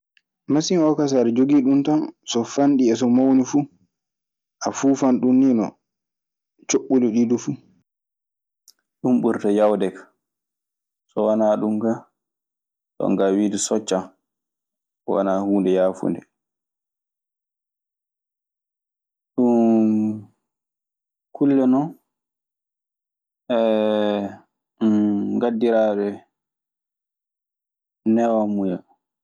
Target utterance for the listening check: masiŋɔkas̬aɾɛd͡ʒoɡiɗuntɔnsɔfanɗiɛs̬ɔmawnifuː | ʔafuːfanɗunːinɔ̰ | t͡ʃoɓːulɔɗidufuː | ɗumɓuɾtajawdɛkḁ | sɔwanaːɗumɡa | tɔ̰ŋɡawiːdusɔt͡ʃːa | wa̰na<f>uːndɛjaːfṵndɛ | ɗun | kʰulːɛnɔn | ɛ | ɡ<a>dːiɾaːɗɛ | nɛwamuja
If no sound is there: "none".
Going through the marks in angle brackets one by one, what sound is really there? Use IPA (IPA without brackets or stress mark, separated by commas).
h, a